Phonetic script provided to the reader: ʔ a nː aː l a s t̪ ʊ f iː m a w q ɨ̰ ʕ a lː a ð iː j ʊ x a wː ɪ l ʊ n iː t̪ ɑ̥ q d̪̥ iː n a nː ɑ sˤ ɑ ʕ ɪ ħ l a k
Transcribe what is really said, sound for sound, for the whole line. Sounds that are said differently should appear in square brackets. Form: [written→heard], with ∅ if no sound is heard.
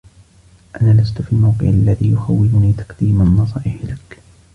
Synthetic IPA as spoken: ʔ a [nː→n] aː l a s t̪ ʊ f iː m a w q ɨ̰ ʕ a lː a ð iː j ʊ x a wː ɪ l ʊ n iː t̪ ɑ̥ q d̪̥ iː [n→m] a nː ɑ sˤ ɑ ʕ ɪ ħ l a k